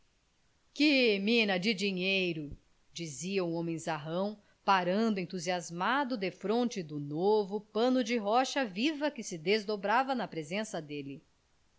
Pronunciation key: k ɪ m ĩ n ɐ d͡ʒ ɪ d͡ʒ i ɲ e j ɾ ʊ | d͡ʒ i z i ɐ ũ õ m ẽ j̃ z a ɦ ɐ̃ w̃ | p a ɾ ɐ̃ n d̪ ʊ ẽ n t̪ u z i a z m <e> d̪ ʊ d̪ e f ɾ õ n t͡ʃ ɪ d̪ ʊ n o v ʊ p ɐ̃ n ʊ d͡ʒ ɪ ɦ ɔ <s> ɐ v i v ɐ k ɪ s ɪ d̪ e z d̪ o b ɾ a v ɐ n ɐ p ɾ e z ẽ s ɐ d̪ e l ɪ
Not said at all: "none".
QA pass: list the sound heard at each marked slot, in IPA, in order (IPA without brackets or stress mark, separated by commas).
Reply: a, ʃ